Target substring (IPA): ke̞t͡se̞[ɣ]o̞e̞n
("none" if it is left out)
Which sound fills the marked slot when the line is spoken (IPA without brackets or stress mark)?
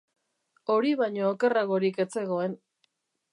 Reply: ɣ